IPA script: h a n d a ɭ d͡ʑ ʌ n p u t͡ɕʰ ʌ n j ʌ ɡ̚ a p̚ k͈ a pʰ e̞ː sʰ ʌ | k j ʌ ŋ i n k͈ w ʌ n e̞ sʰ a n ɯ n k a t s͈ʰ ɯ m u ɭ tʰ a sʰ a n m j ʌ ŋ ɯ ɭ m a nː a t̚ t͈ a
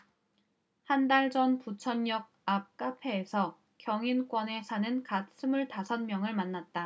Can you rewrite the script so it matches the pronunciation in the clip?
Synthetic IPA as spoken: h a n d a ɭ d͡ʑ ʌ n p u t͡ɕʰ ʌ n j ʌ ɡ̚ a p̚ k͈ a pʰ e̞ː sʰ ʌ | k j ʌ ŋ i n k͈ w ʌ n e̞ sʰ a n ɯ n k a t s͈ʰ ɯ m u ɭ t a sʰ ʌ n m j ʌ ŋ ɯ ɭ m a nː a t̚ t͈ a

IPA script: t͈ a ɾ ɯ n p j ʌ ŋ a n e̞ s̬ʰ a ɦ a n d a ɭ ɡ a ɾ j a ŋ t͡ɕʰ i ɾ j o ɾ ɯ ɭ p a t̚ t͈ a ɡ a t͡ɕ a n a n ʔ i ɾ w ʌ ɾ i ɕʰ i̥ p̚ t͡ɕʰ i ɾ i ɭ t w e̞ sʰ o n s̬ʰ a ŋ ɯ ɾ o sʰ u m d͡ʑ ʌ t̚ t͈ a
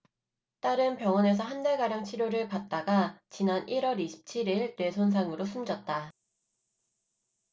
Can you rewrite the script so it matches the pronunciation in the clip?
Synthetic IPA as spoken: t͈ a ɾ ɯ n p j ʌ ŋ ʌ n e̞ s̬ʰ ʌ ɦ a n d a ɭ ɡ a ɾ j a ŋ t͡ɕʰ i ɾ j o ɾ ɯ ɭ p a t̚ t͈ a ɡ a t͡ɕ i n a n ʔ i ɾ w ʌ ɾ i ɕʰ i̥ p̚ t͡ɕʰ i ɾ i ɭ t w e̞ sʰ o n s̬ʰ a ŋ ɯ ɾ o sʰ u m d͡ʑ ʌ t̚ t͈ a

